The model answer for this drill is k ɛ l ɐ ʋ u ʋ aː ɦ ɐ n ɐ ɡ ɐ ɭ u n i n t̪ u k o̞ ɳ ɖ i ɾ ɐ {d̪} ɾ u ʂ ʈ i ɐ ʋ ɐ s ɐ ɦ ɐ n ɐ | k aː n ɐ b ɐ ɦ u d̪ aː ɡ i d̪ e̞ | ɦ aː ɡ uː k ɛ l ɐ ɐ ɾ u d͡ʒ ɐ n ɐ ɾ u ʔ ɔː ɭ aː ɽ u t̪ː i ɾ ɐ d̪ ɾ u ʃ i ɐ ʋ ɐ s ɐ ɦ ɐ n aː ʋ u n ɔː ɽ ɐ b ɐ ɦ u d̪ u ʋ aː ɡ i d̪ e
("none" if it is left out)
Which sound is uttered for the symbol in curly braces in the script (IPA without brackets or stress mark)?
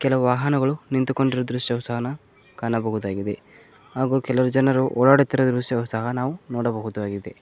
d̪